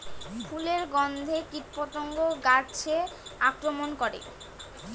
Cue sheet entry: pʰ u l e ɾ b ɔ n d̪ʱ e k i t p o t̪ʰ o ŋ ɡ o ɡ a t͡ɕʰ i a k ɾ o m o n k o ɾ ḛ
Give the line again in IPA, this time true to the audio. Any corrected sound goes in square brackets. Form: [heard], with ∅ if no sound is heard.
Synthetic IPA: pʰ u l e ɾ [ɡ] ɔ n d̪ʱ e k i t p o [t̪] o ŋ ɡ o ɡ a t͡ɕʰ [e] a k ɾ o m o n k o ɾ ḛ